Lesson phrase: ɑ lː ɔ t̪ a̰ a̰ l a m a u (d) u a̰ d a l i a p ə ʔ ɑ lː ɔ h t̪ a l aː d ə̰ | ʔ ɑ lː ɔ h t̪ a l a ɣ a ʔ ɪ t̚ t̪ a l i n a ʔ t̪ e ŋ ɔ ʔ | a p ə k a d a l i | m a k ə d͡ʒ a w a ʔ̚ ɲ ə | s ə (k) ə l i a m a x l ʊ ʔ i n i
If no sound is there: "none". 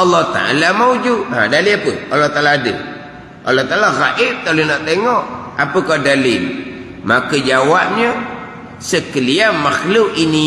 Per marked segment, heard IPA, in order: d͡ʒ, k

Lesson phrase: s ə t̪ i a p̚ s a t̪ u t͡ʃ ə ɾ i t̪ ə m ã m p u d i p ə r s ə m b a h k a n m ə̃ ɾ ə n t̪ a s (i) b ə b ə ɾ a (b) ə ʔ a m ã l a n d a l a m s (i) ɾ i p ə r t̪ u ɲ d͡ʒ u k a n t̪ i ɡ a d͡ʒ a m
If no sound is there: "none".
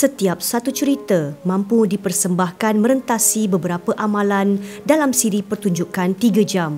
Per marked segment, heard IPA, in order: i, p, i

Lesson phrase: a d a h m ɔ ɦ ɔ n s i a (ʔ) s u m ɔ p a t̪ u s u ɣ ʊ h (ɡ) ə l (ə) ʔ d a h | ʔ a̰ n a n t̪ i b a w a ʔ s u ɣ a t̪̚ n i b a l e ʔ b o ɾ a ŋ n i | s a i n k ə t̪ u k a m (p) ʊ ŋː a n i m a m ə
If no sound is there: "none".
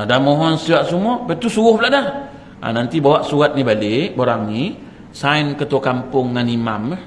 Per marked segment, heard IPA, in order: ʔ, b, a, p

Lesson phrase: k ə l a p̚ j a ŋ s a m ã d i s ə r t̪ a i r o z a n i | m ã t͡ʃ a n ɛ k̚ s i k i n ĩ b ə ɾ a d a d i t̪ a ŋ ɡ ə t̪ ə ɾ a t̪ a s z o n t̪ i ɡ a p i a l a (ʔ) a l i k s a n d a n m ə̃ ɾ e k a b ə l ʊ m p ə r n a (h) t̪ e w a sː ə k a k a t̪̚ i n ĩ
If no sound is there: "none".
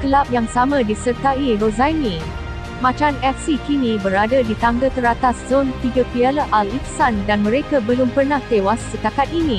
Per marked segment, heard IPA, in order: ʔ, h

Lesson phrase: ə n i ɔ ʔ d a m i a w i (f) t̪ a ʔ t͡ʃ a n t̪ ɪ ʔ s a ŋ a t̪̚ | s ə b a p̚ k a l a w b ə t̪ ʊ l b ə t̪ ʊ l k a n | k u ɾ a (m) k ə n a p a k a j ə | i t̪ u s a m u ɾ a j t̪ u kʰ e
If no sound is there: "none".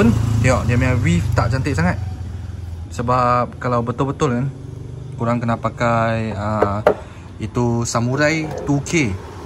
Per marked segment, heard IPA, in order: f, ŋ

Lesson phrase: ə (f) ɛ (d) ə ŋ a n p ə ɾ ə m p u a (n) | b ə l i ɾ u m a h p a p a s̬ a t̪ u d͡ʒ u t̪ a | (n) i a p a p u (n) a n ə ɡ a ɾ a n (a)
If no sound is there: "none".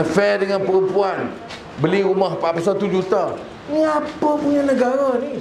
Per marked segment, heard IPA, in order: f, d, n, n, ɲ, i

